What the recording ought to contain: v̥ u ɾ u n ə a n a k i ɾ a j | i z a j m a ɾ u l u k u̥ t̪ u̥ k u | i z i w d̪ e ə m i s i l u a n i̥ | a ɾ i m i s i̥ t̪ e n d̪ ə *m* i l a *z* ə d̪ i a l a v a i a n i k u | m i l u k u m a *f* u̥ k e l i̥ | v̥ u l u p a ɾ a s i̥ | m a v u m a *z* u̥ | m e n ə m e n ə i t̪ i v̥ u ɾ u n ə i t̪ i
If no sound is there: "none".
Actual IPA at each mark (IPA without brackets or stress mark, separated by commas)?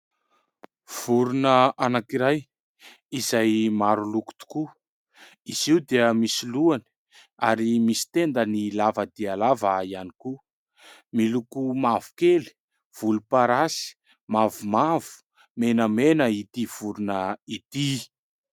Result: n, v, v, v